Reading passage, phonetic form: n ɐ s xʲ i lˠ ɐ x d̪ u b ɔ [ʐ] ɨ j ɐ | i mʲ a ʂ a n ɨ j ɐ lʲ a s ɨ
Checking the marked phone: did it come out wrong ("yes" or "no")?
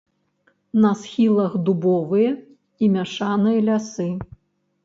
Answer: yes